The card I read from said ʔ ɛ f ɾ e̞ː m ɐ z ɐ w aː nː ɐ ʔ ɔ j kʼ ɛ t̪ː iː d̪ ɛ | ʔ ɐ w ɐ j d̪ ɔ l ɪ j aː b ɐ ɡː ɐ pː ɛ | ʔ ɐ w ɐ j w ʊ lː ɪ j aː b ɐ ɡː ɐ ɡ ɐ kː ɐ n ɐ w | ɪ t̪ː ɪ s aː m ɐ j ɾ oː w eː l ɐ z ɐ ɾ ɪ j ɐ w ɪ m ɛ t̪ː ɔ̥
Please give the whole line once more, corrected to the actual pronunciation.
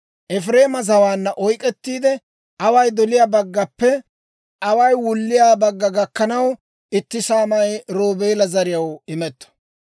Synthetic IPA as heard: ʔ ɛ f ɾ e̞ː m ɐ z ɐ w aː nː ɐ ʔ ɔ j kʼ ɛ t̪ː iː d̪ ɛ | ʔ ɐ w ɐ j d̪ ɔ l ɪ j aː b ɐ ɡː ɐ pː ɛ | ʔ ɐ w ɐ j w ʊ lː ɪ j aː b ɐ ɡː ɐ ɡ ɐ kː ɐ n ɐ w | ɪ t̪ː ɪ s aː m ɐ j ɾ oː b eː l ɐ z ɐ ɾ ɪ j ɐ w ɪ m ɛ t̪ː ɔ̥